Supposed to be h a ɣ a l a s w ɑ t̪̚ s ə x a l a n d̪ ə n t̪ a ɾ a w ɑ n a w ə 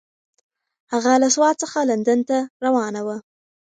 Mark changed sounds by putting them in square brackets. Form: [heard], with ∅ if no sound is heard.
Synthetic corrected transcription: h a ɣ a l a s w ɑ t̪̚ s ə x a l a n d̪ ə n t̪ a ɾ a w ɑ n a w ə